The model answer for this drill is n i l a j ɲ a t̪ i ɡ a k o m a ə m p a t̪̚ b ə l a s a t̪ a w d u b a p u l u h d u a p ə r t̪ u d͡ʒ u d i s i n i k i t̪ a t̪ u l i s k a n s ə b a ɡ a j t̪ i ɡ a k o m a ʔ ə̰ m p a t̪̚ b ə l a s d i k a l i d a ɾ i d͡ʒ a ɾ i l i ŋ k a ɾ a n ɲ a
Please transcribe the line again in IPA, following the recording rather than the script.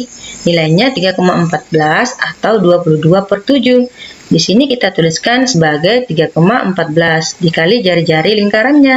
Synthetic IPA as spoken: n i l a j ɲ a t̪ i ɡ a k o m a ə m p a t̪̚ b ə l a s a t̪ a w d u a p u l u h d u a p ə r t̪ u d͡ʒ u d i s i n i k i t̪ a t̪ u l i s k a n s ə b a ɡ a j t̪ i ɡ a k o m a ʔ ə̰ m p a t̪̚ b ə l a s d i k a l i d͡ʒ a ɾ i d͡ʒ a ɾ i l i ŋ k a ɾ a n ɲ a